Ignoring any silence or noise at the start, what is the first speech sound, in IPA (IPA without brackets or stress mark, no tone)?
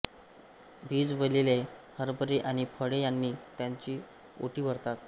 bʱ